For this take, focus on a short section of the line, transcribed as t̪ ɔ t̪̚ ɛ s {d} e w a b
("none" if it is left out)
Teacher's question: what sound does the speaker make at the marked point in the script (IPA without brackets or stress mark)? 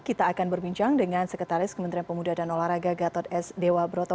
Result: d